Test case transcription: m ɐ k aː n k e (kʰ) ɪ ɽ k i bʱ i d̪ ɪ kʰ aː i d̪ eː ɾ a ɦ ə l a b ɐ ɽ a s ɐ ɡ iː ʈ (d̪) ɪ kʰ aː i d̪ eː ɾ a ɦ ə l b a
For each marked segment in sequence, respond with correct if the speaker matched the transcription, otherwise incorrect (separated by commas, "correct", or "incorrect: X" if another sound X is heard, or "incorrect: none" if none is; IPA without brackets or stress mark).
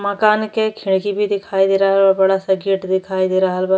correct, correct